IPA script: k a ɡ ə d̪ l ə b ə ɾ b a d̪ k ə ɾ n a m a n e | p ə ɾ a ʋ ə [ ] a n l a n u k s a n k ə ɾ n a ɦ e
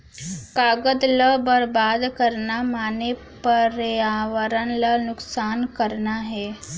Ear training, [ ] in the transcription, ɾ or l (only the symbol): ɾ